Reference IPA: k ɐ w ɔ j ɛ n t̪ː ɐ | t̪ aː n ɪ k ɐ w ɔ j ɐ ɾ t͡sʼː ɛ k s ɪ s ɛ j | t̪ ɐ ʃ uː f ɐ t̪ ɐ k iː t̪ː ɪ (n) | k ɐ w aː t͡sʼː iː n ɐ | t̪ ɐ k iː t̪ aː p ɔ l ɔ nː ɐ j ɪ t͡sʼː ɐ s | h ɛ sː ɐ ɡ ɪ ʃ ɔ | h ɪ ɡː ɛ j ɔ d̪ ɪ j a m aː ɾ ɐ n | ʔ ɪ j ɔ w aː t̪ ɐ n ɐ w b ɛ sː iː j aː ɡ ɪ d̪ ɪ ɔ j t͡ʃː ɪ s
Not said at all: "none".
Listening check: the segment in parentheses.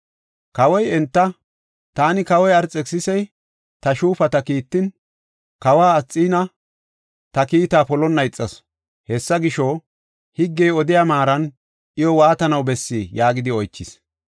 n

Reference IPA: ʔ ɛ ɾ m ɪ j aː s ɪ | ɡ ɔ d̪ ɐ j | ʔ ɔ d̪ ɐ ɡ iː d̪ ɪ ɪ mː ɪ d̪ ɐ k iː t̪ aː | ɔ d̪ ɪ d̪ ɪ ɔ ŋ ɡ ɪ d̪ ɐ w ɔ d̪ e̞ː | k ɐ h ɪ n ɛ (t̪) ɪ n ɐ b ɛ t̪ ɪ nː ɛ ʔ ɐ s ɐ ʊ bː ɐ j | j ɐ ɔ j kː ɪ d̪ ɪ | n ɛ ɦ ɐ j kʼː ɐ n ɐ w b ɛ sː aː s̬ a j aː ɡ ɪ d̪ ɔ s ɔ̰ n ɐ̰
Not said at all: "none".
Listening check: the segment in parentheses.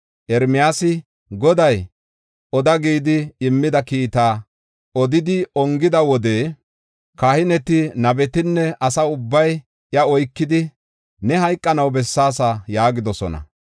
t̪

